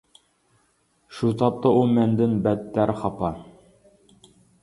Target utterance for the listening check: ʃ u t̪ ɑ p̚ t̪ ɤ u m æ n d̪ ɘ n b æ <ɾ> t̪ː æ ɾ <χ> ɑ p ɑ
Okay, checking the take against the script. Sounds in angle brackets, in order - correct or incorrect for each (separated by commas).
incorrect, correct